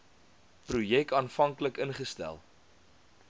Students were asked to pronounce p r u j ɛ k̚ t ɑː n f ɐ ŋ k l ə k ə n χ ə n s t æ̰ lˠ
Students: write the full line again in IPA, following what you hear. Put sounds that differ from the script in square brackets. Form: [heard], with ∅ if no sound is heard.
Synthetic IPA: p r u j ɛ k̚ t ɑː n f ɐ ŋ k l ə k ə n χ ə [∅] s t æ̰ lˠ